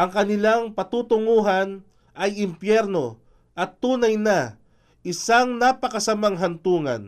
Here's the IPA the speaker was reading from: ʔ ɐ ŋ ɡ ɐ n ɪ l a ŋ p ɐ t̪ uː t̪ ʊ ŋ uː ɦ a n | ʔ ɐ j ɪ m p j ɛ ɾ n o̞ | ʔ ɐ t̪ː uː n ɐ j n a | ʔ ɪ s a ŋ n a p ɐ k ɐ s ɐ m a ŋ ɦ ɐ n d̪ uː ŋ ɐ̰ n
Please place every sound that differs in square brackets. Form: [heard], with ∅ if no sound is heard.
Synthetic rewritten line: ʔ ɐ ŋ [k] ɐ n ɪ l a ŋ p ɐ t̪ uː t̪ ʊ ŋ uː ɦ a n | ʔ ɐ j ɪ m p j ɛ ɾ n o̞ | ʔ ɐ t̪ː uː n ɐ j n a | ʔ ɪ s a ŋ n a p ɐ k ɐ s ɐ m a ŋ ɦ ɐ n [t̪] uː ŋ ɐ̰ n